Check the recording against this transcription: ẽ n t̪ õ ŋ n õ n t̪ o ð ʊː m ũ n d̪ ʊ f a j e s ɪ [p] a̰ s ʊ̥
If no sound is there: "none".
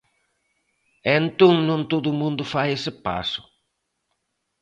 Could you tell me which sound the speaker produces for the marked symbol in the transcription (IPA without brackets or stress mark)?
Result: p